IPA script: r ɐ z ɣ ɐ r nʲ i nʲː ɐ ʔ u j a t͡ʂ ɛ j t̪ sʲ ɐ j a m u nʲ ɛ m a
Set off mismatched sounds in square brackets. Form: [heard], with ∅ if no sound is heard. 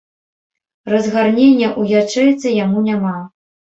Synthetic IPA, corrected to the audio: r ɐ z ɣ [a] r nʲ [e] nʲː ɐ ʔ u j a t͡ʂ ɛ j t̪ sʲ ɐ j a m u nʲ [a] m a